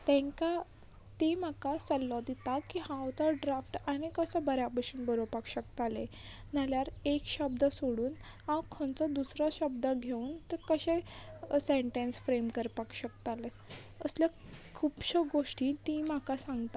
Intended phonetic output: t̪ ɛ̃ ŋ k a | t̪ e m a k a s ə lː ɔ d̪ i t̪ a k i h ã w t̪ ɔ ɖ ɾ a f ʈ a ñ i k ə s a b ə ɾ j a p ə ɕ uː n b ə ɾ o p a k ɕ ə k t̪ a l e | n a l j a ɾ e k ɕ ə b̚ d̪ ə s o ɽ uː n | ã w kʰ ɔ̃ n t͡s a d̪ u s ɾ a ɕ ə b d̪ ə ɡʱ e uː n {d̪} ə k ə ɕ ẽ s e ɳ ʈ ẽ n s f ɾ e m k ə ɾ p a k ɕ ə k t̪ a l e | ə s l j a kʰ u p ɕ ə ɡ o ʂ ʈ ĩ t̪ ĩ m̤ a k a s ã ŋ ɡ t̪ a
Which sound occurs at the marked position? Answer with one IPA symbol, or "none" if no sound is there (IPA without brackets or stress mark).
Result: t̪